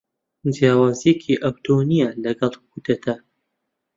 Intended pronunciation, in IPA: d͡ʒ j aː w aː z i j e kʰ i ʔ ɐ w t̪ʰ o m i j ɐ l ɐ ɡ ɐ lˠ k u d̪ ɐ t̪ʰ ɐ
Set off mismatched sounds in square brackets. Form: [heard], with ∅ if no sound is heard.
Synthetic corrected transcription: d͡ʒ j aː w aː z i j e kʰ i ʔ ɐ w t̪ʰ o [n] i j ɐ l ɐ ɡ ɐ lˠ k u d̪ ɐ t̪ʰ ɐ